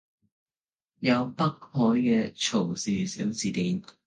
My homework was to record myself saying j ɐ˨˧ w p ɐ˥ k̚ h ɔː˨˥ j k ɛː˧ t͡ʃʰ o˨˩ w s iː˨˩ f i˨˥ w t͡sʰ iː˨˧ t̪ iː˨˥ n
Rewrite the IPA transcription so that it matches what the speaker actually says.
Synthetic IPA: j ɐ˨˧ w p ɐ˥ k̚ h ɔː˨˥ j k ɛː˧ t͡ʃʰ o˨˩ w s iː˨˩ s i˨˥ w t͡s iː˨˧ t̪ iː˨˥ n